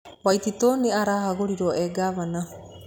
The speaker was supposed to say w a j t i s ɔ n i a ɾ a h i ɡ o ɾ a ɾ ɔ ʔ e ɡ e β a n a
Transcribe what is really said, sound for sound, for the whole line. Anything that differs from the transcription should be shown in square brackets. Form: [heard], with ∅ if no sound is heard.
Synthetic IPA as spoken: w a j t i [t] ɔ n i a ɾ a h [a] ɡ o ɾ [i] ɾ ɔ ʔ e ɡ [a] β a n a